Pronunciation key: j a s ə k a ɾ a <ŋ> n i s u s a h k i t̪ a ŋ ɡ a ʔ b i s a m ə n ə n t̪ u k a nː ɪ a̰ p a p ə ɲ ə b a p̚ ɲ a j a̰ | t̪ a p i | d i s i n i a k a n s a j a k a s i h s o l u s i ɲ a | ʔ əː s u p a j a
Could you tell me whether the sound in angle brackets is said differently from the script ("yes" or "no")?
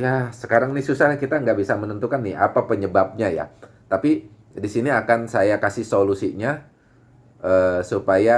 no